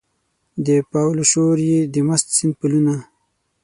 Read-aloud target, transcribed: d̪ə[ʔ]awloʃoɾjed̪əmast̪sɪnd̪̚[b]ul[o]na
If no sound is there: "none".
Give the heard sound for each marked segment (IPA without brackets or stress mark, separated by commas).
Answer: p, p, u